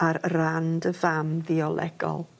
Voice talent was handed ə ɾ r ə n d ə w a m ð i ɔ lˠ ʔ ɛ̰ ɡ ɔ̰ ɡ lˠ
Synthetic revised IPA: a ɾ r a n d ə v a m ð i ɔ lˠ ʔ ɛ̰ ɡ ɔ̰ lˠ